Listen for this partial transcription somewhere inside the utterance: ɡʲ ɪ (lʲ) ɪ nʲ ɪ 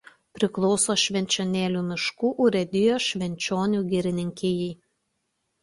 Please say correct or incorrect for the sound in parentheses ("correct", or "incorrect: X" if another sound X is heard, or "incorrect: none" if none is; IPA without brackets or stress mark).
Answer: incorrect: ɾʲ